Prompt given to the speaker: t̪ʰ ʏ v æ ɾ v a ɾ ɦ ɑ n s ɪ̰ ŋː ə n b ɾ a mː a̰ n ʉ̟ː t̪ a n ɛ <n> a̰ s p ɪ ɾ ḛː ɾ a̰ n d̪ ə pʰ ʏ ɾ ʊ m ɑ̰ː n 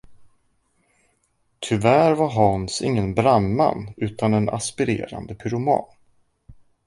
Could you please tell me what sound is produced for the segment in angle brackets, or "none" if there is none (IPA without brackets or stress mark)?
n